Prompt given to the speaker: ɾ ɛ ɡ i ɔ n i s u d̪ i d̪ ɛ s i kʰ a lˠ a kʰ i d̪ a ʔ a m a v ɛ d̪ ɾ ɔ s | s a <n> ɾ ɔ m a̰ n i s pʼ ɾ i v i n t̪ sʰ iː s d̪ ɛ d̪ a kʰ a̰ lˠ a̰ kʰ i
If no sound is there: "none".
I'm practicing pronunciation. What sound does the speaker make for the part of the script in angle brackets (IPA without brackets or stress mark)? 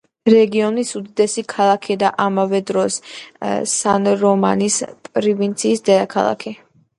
n